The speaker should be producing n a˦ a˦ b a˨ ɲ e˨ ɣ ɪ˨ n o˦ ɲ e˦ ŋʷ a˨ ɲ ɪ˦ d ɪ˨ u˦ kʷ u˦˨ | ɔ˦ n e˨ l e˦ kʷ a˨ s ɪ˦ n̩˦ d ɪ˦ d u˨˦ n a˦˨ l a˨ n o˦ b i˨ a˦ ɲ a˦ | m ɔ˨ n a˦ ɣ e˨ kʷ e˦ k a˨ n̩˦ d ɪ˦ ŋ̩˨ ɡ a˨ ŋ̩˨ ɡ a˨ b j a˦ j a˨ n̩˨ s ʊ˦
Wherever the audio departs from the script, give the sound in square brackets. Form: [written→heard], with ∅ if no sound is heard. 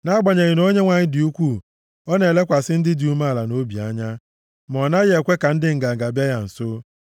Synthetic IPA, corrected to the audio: n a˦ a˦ [b→ɡ͡b] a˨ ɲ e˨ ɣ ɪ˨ n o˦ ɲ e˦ ŋʷ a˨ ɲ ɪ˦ d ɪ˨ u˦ kʷ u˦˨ | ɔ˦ n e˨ l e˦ kʷ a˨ s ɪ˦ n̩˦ d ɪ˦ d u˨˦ [n→m] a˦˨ l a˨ n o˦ b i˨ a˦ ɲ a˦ | m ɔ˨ n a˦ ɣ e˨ kʷ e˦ k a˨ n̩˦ d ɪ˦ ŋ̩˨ ɡ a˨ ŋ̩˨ ɡ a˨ b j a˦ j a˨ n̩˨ s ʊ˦